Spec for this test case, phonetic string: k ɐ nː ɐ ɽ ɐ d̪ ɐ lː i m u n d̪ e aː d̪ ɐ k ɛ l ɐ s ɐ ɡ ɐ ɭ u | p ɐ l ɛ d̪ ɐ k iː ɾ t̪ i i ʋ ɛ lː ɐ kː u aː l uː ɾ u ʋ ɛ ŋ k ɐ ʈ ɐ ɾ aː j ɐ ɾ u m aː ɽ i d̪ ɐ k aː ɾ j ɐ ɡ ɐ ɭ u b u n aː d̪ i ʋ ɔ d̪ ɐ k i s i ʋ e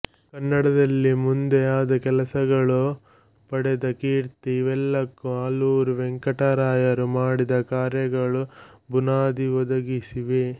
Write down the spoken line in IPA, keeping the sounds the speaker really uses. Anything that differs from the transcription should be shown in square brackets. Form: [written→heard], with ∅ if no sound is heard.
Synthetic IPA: k ɐ nː ɐ ɽ ɐ d̪ ɐ lː i m u n d̪ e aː d̪ ɐ k ɛ l ɐ s ɐ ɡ ɐ ɭ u | p ɐ [l→ɽ] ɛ d̪ ɐ k iː ɾ t̪ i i ʋ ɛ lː ɐ kː u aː l uː ɾ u ʋ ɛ ŋ k ɐ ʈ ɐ ɾ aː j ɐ ɾ u m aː ɽ i d̪ ɐ k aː ɾ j ɐ ɡ ɐ ɭ u b u n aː d̪ i ʋ ɔ d̪ ɐ [k→ɡ] i s i ʋ e

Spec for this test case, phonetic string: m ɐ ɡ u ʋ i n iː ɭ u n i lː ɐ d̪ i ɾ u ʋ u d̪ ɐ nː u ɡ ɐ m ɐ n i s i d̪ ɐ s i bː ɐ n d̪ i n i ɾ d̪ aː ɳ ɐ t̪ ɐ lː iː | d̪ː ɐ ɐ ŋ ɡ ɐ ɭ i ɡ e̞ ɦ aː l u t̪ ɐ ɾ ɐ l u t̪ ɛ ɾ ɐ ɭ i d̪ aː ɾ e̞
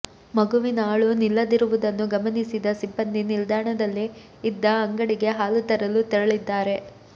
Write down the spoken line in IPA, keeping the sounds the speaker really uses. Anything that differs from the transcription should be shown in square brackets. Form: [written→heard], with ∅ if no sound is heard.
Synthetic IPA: m ɐ ɡ u ʋ i n [iː→aː] ɭ u n i lː ɐ d̪ i ɾ u ʋ u d̪ ɐ nː u ɡ ɐ m ɐ n i s i d̪ ɐ s i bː ɐ n d̪ i n i [ɾ→l] d̪ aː ɳ ɐ [t̪→d̪] ɐ lː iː | d̪ː ɐ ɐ ŋ ɡ ɐ [ɭ→ɽ] i ɡ e̞ ɦ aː l u t̪ ɐ ɾ ɐ l u t̪ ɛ ɾ ɐ ɭ i [d̪→d̪ː] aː ɾ e̞

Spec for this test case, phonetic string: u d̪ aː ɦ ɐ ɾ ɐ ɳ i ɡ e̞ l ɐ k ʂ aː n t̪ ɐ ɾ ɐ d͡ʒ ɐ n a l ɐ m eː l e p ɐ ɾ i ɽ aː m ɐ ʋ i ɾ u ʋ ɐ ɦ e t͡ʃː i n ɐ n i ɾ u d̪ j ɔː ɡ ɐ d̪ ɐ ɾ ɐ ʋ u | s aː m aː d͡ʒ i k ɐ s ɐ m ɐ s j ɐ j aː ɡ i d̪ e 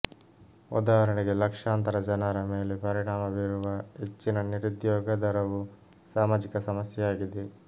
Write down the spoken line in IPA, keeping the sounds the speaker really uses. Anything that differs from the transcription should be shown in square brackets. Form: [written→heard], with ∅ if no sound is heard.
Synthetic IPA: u d̪ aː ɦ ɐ ɾ ɐ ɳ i ɡ e̞ l ɐ k ʂ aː n t̪ ɐ ɾ ɐ d͡ʒ ɐ n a [l→ɾ] ɐ m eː l e p ɐ ɾ i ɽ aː m ɐ ʋ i ɾ u ʋ ɐ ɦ e t͡ʃː i n ɐ n i ɾ u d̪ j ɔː ɡ ɐ d̪ ɐ ɾ ɐ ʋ u | s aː m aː d͡ʒ i k ɐ s ɐ m ɐ s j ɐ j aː ɡ i d̪ e

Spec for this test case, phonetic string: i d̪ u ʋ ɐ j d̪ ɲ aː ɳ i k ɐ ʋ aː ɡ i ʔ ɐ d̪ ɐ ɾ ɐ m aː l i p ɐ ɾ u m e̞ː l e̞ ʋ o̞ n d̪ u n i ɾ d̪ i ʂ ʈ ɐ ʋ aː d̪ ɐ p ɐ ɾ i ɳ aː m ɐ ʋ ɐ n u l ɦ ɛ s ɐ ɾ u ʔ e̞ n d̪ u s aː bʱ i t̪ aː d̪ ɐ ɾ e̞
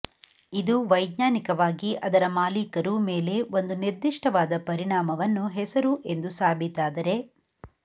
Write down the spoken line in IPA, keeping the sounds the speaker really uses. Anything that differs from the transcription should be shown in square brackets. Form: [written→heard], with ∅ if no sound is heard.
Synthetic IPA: i d̪ u ʋ ɐ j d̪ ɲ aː [ɳ→n] i k ɐ ʋ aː ɡ i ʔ ɐ d̪ ɐ ɾ ɐ m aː l i [p→k] ɐ ɾ u m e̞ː l e̞ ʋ o̞ n d̪ u n i ɾ d̪ i ʂ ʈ ɐ ʋ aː d̪ ɐ p ɐ ɾ i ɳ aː m ɐ ʋ ɐ [n→nː] u [l→∅] ɦ ɛ s ɐ ɾ u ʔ e̞ n d̪ u s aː bʱ i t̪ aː d̪ ɐ ɾ e̞

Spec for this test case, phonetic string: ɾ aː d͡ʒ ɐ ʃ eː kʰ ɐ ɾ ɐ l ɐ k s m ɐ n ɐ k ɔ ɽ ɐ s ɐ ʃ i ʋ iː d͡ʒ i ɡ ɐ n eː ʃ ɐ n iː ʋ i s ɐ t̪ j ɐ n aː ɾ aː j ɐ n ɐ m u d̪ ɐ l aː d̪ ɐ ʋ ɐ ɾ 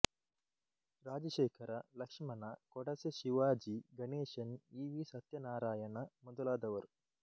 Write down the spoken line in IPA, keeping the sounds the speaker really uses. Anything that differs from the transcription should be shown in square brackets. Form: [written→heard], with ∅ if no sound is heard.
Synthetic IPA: ɾ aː d͡ʒ ɐ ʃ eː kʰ ɐ ɾ ɐ l ɐ k [s→ʂ] m ɐ n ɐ k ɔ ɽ ɐ s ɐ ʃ i ʋ [iː→aː] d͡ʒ i ɡ ɐ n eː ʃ ɐ n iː ʋ i s ɐ t̪ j ɐ n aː ɾ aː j ɐ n ɐ m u d̪ ɐ l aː d̪ ɐ ʋ ɐ ɾ

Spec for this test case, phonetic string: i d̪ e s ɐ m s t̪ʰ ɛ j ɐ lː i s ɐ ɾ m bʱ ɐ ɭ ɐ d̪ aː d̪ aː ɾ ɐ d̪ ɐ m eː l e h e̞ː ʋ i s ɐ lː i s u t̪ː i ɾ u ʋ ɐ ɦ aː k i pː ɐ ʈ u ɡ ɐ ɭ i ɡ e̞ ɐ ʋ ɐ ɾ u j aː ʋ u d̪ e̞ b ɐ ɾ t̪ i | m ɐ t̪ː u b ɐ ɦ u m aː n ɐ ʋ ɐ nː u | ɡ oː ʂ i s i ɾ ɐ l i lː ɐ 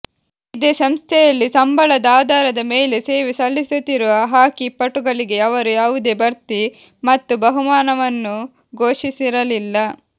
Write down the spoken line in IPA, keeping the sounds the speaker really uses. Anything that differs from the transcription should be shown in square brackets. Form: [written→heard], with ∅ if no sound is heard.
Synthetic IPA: i d̪ e s ɐ m s t̪ʰ ɛ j ɐ lː i s ɐ [ɾ→∅] m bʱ ɐ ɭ ɐ d̪ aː d̪ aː ɾ ɐ d̪ ɐ m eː l e [h→s] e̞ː ʋ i s ɐ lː i s u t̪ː i ɾ u ʋ ɐ ɦ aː k i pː ɐ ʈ u ɡ ɐ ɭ i ɡ e̞ ɐ ʋ ɐ ɾ u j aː ʋ u d̪ e̞ b ɐ ɾ t̪ i | m ɐ t̪ː u b ɐ ɦ u m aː n ɐ ʋ ɐ nː u | ɡ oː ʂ i s i ɾ ɐ l i lː ɐ

